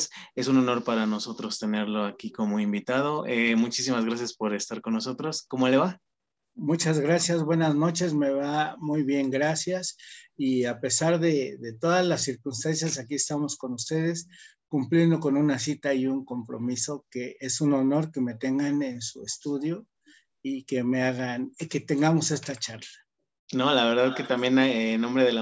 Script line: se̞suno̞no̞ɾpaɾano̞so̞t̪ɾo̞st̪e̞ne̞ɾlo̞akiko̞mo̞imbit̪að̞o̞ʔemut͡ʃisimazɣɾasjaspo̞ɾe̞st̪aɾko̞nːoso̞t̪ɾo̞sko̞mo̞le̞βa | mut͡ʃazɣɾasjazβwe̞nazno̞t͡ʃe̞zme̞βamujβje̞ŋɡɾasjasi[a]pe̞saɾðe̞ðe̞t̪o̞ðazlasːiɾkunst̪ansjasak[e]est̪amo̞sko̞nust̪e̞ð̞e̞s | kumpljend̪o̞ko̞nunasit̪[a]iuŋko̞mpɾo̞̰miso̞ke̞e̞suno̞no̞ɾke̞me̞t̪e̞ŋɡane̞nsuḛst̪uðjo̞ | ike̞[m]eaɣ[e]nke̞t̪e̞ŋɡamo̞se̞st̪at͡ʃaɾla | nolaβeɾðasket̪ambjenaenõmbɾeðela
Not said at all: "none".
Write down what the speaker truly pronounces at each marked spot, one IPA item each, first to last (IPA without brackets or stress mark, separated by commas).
a, i, a, m, a